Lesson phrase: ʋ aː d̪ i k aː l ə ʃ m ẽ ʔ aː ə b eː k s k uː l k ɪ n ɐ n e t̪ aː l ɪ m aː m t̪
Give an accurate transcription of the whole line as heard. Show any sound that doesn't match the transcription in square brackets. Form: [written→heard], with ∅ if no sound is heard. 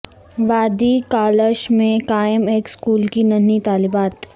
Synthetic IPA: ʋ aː d̪ i k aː l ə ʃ m ẽ [ʔ→k] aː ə [b→m] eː k s k uː l k [ɪ→i] n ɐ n [e→i] t̪ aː l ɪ [m→b] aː [m→∅] t̪